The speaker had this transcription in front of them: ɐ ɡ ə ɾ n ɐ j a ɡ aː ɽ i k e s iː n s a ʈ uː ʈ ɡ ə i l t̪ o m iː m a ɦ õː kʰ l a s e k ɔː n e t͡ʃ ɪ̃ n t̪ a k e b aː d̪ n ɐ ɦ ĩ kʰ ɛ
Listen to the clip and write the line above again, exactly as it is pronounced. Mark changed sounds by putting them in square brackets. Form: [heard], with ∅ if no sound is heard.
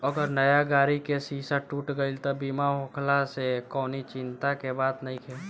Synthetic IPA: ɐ ɡ ə ɾ n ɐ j a ɡ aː [ɾ] i k e s iː [∅] s a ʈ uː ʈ ɡ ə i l t̪ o [b] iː m a ɦ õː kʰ l a s e k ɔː n [i] t͡ʃ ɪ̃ n t̪ a k e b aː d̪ n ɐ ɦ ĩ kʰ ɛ